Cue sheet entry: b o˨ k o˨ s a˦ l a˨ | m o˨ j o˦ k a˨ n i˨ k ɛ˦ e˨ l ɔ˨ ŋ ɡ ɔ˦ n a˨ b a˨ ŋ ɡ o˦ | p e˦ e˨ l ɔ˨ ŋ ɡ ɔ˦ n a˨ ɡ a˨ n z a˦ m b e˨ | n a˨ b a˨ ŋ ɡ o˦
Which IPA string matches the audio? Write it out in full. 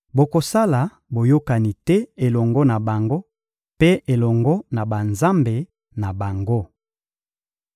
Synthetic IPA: b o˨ k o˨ s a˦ l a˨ | b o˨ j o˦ k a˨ n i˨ t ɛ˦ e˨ l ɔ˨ ŋ ɡ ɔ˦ n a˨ b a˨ ŋ ɡ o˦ | p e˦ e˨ l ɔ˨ ŋ ɡ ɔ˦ n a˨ b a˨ n z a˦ m b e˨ | n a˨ b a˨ ŋ ɡ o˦